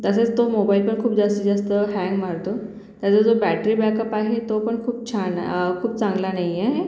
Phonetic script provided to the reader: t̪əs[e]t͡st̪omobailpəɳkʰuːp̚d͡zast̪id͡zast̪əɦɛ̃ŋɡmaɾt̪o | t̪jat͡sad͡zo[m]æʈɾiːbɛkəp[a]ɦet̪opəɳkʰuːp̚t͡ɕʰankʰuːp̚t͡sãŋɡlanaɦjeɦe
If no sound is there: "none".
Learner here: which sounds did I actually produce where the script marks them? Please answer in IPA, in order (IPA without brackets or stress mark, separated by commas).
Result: e, b, a